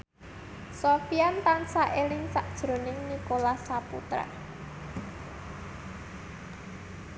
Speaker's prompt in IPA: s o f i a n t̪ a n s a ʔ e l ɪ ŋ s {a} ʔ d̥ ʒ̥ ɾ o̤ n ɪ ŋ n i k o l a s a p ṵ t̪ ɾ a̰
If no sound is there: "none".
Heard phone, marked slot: a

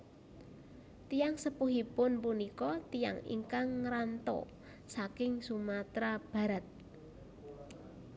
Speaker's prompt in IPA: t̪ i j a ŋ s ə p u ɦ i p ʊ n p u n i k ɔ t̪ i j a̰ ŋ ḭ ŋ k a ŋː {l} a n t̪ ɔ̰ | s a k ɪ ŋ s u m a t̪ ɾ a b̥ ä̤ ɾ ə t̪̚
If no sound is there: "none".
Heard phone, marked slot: ɾ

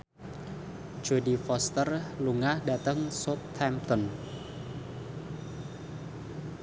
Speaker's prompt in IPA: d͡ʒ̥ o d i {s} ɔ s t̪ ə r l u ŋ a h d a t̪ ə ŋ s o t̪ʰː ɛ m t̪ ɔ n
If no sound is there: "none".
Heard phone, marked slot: f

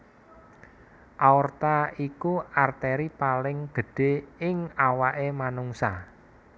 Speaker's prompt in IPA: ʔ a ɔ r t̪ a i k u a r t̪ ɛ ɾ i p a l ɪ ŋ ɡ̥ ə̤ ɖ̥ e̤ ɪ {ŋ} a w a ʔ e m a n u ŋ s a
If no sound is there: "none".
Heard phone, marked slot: ŋ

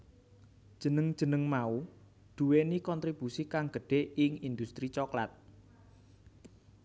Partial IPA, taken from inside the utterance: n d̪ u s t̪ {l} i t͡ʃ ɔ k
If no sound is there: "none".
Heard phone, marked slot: ɾ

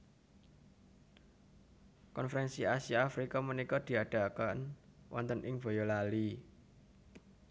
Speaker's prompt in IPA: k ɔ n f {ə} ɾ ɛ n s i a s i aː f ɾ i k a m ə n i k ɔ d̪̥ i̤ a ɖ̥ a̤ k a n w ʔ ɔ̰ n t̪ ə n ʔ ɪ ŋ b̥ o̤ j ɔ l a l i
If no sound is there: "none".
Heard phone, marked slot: ə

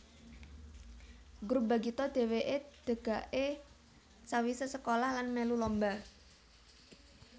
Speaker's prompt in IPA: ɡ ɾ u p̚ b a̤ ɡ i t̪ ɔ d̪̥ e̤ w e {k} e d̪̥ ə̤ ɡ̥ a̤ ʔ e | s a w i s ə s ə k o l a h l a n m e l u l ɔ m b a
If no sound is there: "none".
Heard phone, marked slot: ʔ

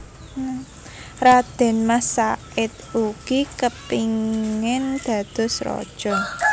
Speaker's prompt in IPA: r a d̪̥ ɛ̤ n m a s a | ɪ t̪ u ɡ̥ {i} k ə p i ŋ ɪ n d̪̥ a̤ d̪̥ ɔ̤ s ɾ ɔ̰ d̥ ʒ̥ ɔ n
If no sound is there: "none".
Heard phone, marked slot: i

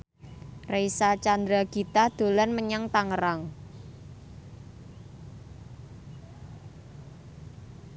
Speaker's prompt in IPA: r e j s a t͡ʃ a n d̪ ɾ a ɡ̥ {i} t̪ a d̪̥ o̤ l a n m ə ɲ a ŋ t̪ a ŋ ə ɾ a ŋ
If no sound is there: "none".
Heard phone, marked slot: i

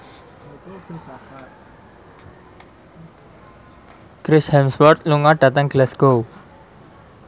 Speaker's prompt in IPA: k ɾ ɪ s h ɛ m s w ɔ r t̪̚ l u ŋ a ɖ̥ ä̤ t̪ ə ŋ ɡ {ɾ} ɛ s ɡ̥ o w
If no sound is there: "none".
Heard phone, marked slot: l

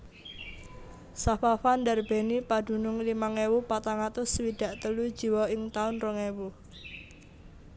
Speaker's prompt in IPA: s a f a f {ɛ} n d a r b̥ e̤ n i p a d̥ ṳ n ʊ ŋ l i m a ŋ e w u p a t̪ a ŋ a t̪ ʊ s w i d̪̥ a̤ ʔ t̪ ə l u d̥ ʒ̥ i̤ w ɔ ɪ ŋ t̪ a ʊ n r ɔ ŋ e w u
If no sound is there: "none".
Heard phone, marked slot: a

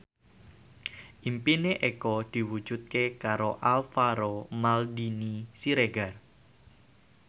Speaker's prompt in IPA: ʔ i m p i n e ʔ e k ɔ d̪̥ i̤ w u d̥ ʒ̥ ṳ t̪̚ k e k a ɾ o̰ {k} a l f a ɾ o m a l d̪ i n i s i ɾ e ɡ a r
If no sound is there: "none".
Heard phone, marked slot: ʔ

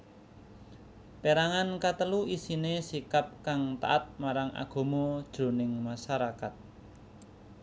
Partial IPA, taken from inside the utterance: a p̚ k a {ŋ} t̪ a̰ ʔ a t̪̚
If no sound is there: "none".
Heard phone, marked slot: ŋ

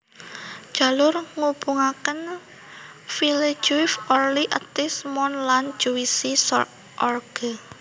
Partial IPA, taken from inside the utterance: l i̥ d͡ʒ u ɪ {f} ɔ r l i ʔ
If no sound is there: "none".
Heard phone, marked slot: f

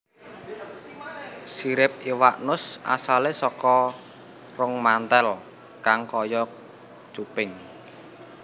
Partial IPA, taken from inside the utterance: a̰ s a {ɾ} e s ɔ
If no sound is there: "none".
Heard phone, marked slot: l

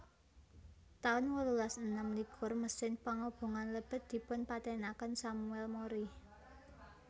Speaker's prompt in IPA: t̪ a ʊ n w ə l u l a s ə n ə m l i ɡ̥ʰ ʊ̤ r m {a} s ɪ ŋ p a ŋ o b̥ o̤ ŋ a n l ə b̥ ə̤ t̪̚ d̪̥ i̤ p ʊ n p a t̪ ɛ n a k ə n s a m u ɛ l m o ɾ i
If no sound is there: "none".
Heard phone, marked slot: ə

